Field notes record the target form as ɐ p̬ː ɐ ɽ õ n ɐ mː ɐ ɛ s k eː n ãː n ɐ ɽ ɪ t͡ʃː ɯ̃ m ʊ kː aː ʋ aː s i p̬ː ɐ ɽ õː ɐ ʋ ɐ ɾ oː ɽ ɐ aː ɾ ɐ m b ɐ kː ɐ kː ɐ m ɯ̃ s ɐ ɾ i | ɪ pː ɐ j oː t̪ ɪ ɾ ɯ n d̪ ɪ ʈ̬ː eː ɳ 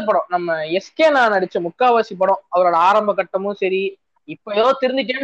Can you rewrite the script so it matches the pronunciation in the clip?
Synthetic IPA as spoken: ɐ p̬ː ɐ ɽ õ n ɐ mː ɐ ɛ s k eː n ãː n ɐ ɽ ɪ t͡ʃː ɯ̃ m ʊ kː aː ʋ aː s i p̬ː ɐ ɽ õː ɐ ʋ ɐ ɾ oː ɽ ɐ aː ɾ ɐ m b ɐ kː ɐ ʈː ɐ m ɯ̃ s ɐ ɾ i | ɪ pː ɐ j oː t̪ ɪ ɾ ɯ n d̪ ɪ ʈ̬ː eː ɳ